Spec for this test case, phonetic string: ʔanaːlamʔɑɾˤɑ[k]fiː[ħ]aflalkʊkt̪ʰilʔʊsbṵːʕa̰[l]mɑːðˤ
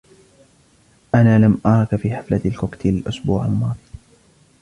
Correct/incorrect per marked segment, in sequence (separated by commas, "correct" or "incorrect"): correct, correct, correct